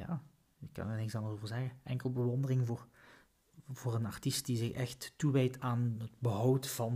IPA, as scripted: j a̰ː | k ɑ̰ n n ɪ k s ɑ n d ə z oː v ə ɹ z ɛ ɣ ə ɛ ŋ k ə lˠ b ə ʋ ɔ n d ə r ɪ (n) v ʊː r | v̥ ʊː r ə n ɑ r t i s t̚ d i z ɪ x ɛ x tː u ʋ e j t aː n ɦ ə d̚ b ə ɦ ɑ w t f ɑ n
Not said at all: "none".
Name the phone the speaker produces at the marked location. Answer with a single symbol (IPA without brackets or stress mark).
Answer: ŋ